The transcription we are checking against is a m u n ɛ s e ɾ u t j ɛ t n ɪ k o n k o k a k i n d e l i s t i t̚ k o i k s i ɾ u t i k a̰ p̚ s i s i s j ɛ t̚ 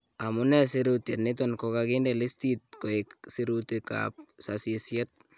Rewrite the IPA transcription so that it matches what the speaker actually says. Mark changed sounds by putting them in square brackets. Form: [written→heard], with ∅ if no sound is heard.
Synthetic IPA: a m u n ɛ s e ɾ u t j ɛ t n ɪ [k→t] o n k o k a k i n d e l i s t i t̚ k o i k s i ɾ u t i k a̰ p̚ s [i→a] s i s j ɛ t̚